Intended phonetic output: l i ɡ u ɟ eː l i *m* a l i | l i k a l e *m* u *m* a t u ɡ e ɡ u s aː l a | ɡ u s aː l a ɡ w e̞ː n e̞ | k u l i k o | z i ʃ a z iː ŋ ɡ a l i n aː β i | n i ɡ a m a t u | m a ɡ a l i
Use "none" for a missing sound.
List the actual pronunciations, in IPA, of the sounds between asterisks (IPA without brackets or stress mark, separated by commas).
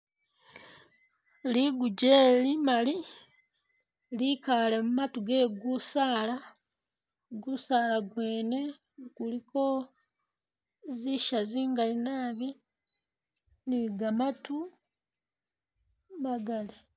m, m, m